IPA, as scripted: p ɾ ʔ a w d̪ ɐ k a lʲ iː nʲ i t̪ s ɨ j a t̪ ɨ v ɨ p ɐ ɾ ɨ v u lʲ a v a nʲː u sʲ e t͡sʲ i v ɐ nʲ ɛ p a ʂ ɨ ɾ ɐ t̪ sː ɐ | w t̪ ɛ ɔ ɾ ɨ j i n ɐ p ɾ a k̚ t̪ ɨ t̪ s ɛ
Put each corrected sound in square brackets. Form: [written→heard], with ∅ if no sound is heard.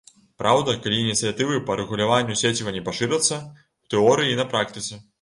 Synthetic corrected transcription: p ɾ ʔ a w d̪ ɐ k a lʲ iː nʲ i t̪ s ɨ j a t̪ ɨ v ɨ p ɐ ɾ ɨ [v→ɣ] u lʲ a v a nʲː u sʲ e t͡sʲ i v ɐ nʲ ɛ p a ʂ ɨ ɾ ɐ t̪ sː ɐ | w t̪ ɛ ɔ ɾ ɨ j i n ɐ p ɾ a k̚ t̪ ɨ t̪ s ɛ